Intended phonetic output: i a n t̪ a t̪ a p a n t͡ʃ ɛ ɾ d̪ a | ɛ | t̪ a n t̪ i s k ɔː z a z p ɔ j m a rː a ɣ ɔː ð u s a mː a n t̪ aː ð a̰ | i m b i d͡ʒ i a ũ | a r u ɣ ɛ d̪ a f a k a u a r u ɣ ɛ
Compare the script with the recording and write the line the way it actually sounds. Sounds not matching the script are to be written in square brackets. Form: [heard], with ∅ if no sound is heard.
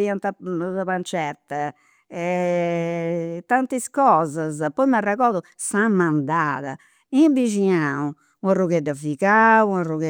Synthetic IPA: i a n t̪ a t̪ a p a n t͡ʃ ɛ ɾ [t̪] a | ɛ | t̪ a n t̪ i s k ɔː z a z p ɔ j m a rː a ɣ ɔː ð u s a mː a n [d̪] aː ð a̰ | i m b i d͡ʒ i a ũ | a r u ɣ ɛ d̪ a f [i] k a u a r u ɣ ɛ